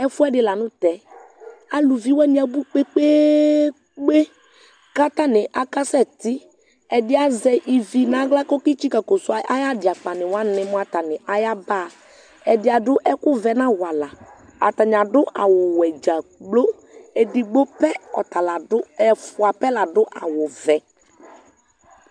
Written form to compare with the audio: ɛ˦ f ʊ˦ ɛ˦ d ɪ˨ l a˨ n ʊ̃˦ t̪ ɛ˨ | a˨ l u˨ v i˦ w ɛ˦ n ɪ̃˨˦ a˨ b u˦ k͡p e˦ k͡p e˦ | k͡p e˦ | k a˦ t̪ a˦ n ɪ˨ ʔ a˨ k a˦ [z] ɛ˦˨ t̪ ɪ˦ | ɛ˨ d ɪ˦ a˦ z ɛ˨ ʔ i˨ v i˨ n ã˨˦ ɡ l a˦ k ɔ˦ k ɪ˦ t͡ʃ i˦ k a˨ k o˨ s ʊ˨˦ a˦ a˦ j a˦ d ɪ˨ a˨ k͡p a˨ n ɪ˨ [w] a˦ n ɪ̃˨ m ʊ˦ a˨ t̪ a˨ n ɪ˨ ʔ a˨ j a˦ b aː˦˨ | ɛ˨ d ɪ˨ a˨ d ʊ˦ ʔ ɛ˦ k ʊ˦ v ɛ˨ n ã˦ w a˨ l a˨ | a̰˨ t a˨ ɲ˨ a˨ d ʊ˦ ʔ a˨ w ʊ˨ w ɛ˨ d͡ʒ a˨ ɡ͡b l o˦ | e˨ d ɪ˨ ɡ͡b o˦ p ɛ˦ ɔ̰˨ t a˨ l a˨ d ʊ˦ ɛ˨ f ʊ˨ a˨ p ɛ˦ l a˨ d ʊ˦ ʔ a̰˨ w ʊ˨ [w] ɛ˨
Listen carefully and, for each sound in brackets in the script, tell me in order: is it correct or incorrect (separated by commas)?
incorrect, correct, incorrect